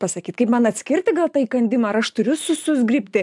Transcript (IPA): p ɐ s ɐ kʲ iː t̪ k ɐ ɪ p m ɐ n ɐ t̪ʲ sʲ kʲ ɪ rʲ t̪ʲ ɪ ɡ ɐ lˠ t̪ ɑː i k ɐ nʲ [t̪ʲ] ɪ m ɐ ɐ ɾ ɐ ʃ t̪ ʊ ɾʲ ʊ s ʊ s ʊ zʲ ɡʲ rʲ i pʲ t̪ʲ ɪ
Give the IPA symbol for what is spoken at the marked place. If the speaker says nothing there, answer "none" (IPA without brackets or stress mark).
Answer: d̪ʲ